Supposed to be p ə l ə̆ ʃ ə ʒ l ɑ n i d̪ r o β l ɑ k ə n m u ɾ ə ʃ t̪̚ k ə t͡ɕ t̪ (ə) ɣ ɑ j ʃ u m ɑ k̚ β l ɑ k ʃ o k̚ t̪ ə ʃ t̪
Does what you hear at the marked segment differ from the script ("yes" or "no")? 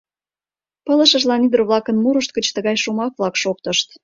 no